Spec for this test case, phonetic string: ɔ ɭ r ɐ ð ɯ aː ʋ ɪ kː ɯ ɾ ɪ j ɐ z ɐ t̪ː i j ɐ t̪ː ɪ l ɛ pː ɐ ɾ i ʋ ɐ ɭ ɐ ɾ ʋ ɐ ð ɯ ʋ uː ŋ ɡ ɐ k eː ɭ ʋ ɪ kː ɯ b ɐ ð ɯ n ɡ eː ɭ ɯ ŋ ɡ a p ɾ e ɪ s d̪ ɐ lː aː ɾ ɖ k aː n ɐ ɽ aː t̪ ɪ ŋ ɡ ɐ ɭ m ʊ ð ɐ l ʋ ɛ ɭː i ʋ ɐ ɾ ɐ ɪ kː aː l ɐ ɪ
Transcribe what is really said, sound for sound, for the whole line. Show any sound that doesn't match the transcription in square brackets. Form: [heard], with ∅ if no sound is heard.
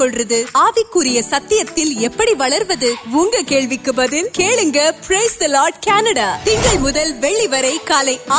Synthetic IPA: ɔ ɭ r ɐ ð ɯ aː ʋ ɪ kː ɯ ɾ ɪ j ɐ [s] ɐ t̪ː [ɪ] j ɐ t̪ː ɪ l ɛ pː ɐ [ɽ] i ʋ ɐ ɭ ɐ ɾ ʋ ɐ ð ɯ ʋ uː ŋ ɡ ɐ k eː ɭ ʋ ɪ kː ɯ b ɐ ð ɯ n [k] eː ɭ ɯ ŋ ɡ [ɐ] p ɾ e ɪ s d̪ ɐ [l] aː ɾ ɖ k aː n ɐ ɽ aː t̪ ɪ ŋ ɡ ɐ ɭ m ʊ ð ɐ l ʋ ɛ ɭː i ʋ ɐ ɾ ɐ ɪ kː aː l ɐ ɪ